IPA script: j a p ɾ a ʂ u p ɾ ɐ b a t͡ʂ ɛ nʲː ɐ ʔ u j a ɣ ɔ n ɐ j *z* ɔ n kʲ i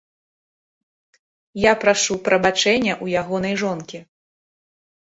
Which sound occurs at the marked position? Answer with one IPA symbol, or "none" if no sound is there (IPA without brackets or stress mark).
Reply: ʐ